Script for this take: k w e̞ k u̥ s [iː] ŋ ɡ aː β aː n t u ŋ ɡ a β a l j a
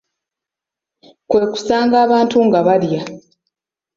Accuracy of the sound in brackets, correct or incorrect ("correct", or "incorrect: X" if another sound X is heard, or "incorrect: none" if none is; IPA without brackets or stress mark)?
incorrect: aː